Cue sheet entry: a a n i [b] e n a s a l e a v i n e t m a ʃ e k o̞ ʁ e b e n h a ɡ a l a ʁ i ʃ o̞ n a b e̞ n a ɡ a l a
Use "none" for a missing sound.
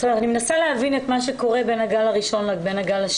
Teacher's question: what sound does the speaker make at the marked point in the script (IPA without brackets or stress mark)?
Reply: m